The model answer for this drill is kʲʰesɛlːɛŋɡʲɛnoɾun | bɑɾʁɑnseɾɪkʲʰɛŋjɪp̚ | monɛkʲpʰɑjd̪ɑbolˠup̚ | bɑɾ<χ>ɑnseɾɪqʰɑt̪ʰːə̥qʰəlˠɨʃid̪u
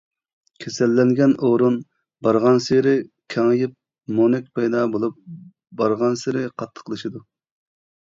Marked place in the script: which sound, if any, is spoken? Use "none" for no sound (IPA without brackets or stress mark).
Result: ʁ